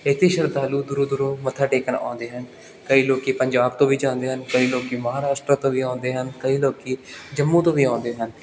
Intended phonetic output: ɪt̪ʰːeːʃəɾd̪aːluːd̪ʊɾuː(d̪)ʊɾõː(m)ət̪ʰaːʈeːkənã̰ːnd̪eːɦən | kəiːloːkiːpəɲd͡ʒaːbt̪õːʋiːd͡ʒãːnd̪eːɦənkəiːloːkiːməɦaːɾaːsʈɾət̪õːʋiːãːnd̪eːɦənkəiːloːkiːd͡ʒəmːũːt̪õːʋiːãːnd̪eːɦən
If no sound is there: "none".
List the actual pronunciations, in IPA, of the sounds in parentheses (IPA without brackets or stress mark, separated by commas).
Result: d̪, m